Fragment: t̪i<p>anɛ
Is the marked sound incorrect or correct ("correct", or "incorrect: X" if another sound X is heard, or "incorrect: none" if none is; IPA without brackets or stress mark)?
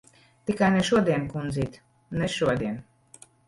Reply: incorrect: k